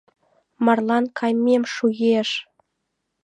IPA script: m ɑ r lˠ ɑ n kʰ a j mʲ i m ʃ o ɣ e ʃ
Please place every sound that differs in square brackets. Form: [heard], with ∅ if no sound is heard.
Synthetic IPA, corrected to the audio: m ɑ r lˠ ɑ n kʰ [ɑ] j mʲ [e] m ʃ [u] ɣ e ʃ